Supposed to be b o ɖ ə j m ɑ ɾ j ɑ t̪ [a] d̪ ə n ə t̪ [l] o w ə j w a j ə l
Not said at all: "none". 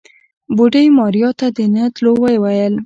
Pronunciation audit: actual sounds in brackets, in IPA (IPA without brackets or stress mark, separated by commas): a, l